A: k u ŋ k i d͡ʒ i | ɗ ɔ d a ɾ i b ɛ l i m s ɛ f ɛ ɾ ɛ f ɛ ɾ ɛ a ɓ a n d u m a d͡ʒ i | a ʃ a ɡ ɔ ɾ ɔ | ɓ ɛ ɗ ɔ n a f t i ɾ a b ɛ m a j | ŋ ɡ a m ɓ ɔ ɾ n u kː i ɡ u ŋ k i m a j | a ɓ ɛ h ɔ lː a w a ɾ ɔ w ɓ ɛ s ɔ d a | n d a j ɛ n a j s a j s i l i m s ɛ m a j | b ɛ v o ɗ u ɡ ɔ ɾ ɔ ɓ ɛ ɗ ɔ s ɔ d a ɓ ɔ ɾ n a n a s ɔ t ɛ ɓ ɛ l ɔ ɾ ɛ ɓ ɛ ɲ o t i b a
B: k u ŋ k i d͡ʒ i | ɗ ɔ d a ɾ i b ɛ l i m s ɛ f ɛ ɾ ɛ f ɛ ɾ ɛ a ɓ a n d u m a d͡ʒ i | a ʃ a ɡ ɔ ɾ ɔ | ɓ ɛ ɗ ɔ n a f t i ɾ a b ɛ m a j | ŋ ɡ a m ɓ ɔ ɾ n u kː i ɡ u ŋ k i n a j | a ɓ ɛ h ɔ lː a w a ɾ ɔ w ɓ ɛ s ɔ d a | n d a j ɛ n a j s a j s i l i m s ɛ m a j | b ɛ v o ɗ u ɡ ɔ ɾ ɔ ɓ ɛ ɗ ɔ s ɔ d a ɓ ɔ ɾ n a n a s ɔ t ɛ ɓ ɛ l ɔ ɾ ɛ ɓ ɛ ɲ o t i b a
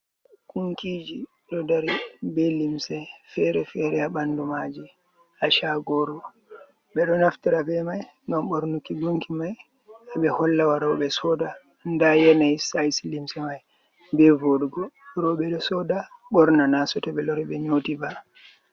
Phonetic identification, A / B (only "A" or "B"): A